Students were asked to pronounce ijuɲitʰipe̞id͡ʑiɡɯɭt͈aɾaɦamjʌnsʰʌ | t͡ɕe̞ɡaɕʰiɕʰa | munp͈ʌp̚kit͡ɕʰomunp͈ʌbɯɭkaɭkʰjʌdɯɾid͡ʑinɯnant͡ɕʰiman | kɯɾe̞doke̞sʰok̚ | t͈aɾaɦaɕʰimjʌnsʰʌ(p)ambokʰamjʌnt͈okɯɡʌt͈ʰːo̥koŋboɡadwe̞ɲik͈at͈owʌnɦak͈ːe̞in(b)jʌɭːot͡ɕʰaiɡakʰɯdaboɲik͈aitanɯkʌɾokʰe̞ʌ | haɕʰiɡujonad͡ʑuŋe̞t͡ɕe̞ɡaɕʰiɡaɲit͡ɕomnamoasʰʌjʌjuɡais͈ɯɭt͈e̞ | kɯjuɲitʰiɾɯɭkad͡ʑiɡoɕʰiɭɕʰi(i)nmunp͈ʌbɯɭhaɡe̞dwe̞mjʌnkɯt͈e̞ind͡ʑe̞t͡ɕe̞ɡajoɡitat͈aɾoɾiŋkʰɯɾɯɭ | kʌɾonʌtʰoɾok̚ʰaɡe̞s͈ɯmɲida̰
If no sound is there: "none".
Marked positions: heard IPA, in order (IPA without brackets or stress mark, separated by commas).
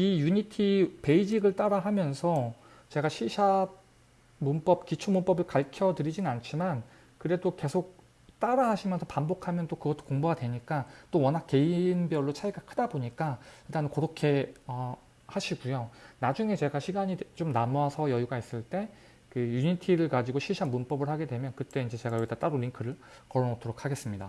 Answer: p, b, a